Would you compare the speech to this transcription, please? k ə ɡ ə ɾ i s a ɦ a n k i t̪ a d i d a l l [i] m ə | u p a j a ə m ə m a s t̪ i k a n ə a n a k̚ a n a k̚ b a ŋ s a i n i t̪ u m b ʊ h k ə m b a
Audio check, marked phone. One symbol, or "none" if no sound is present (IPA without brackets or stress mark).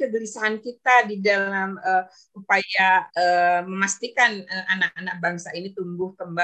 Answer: a